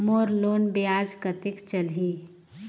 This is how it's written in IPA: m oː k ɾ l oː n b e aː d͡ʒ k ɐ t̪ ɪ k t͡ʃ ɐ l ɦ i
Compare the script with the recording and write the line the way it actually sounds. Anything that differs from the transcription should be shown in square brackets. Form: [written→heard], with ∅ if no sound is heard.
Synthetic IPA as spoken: m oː [k→∅] ɾ l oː n b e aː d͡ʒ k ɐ t̪ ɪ k t͡ʃ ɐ l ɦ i